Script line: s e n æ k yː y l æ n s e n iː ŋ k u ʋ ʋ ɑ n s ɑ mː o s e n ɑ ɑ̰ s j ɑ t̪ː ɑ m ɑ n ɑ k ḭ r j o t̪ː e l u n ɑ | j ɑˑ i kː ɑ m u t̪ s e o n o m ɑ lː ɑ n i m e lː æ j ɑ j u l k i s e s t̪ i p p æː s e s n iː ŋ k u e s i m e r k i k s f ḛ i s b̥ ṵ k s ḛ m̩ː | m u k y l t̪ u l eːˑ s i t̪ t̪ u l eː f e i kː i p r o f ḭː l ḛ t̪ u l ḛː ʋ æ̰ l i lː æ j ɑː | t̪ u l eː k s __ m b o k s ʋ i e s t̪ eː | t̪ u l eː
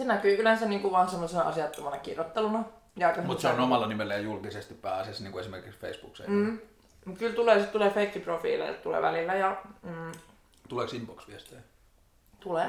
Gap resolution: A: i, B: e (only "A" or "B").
A